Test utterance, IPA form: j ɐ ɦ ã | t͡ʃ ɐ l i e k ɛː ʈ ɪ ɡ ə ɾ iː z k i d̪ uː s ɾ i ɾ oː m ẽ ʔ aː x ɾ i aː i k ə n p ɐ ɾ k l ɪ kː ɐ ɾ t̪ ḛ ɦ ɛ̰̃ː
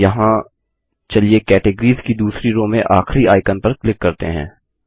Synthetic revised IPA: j ɐ ɦ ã | t͡ʃ ɐ l i e k ɛː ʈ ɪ ɡ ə ɾ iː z k i d̪ uː s ɾ i ɾ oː m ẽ ʔ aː x ɾ i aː ɪ k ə n p ɐ ɾ k l ɪ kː ɐ ɾ t̪ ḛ ɦ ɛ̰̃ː